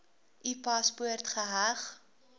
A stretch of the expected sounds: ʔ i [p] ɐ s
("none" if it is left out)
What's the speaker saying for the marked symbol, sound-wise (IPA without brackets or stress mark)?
p